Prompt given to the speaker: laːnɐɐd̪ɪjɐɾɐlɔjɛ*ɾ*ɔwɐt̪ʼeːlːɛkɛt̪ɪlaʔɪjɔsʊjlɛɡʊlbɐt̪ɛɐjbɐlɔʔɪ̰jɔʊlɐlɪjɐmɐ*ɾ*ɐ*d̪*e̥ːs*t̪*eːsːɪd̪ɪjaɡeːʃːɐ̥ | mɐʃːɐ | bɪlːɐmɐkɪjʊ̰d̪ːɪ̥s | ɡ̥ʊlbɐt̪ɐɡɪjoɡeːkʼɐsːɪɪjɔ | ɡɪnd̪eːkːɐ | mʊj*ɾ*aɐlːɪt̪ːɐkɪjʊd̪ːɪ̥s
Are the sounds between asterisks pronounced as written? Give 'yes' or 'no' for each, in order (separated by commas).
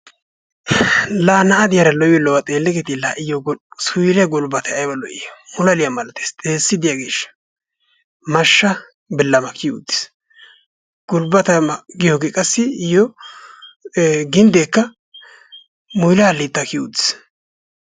no, no, no, no, no